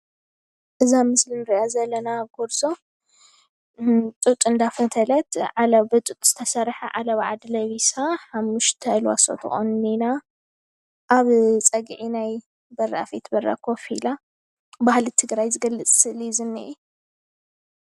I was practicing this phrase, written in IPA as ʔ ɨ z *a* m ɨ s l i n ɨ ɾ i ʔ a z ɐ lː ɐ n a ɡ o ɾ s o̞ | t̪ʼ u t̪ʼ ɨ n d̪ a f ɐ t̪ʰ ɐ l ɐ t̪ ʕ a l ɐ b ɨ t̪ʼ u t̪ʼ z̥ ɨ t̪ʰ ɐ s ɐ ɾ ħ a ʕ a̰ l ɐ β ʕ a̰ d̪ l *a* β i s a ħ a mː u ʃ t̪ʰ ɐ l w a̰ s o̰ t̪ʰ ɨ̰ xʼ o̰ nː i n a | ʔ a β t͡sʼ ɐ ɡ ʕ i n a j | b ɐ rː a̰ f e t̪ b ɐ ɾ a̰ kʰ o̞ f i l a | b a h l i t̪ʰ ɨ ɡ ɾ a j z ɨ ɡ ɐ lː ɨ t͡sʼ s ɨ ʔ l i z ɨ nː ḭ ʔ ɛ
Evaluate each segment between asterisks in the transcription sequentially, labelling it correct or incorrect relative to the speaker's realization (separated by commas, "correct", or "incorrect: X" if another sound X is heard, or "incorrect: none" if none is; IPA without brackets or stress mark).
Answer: correct, incorrect: ɐ